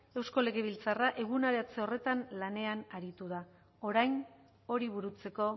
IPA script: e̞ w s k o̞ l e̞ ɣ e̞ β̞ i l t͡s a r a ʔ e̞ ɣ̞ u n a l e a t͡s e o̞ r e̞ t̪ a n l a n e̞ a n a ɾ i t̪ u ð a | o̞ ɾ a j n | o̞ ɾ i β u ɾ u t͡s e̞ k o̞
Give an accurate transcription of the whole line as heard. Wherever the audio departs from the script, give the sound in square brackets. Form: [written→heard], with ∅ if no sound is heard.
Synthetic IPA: e̞ w s k o̞ l e̞ ɣ e̞ β̞ i l t͡s a r a ʔ e̞ ɣ̞ u n a [l→ɾ] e a t͡s e o̞ r e̞ t̪ a n l a n e̞ a n a ɾ i t̪ u ð a | o̞ ɾ a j n | o̞ ɾ i β u ɾ u t͡s e̞ k o̞